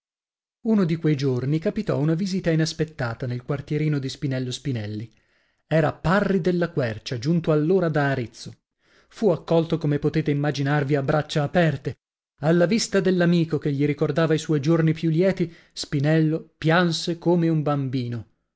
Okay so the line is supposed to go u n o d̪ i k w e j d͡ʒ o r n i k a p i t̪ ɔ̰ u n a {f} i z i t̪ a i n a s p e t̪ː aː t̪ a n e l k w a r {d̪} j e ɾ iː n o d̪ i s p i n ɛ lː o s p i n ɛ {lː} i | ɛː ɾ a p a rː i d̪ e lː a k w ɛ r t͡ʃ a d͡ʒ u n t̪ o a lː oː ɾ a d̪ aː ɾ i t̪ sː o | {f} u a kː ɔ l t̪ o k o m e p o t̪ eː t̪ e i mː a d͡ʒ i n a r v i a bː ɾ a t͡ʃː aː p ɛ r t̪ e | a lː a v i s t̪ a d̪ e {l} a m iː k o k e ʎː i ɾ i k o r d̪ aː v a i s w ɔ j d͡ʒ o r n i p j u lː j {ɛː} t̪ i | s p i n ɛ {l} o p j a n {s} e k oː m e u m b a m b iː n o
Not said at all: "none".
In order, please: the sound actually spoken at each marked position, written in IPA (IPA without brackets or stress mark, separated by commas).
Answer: v, t̪, lː, f, lː, ɛː, lː, s